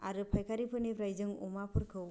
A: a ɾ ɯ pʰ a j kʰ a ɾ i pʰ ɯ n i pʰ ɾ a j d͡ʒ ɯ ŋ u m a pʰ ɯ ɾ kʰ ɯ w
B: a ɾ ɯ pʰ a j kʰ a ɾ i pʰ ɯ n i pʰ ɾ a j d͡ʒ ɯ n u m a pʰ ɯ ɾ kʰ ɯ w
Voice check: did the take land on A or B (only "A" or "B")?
A